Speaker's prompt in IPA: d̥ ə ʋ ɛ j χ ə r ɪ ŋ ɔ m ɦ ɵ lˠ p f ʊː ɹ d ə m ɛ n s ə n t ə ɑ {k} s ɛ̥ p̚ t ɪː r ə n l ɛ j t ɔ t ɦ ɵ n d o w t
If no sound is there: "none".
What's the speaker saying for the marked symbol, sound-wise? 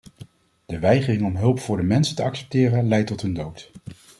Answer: k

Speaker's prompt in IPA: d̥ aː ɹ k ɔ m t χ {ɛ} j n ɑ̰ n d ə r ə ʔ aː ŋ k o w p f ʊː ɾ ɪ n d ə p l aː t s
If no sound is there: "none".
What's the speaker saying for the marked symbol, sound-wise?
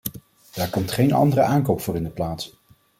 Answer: e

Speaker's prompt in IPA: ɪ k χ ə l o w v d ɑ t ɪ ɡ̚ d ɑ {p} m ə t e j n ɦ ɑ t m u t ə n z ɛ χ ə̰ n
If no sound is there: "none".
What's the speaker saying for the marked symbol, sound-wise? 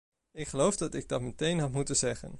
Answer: t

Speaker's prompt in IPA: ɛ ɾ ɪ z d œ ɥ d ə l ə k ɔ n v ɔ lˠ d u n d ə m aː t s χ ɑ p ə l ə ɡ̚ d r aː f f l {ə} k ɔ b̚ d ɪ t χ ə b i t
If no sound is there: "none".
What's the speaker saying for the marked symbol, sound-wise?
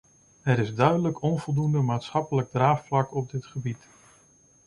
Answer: ɑ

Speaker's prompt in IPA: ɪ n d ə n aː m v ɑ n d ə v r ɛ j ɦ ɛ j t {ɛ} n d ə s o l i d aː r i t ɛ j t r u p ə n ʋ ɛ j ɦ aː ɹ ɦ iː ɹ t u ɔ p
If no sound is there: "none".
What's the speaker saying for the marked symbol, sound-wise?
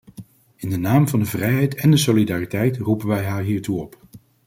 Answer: ɛ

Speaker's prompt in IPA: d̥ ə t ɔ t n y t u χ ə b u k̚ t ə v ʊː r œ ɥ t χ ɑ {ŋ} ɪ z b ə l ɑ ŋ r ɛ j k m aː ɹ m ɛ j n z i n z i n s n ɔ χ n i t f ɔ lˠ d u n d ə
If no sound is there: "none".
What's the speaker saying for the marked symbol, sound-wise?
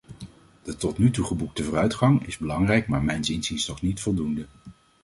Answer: ŋ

